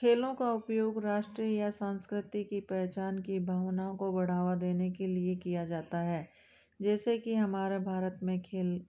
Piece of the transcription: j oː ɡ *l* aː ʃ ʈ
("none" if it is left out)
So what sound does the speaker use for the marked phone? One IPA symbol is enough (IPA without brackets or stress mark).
ɾ